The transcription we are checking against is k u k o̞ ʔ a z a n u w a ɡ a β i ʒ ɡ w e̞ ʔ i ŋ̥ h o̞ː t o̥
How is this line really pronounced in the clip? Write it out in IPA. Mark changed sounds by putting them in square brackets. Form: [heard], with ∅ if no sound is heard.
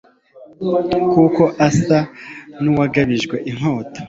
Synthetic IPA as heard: k u k o̞ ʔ a [s] a n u w a ɡ a β i ʒ ɡ w e̞ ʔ i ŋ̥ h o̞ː t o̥